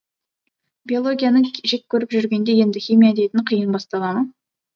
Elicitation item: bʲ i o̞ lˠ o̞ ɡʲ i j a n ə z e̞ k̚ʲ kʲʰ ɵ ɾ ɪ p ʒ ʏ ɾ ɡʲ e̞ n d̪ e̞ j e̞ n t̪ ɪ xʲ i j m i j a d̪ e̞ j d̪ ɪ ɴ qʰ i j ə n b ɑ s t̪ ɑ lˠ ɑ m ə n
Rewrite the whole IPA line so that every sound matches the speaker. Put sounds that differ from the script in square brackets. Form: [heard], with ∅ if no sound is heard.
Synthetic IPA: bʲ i o̞ lˠ o̞ ɡʲ i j a n ə [ʒ] e̞ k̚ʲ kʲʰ ɵ ɾ ɪ p ʒ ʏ ɾ ɡʲ e̞ n d̪ e̞ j e̞ n [d̪] ɪ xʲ i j m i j a d̪ e̞ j [t̪] ɪ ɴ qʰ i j ə n b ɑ s t̪ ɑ lˠ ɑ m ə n